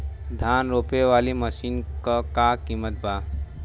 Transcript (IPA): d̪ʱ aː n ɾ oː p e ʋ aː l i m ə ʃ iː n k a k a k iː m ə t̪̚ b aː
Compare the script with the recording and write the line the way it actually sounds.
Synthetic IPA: d̪ʱ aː n ɾ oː p e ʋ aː l i m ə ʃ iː n k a k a k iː m ə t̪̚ b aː